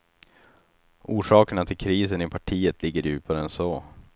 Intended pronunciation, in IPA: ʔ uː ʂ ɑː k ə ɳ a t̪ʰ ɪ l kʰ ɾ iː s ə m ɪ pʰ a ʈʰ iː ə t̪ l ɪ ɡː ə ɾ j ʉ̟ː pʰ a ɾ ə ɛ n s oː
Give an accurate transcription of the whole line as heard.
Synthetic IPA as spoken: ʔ uː ʂ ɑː k ə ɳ a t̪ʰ ɪ l kʰ ɾ iː s ə n ɪ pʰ a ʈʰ iː ə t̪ l ɪ ɡː ə ɾ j ʉ̟ː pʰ a ɾ ə ɛ n s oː